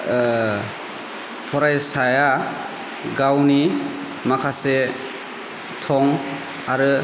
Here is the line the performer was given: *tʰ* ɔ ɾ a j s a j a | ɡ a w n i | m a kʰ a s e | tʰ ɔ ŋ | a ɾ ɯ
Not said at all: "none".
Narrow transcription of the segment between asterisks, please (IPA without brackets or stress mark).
pʰ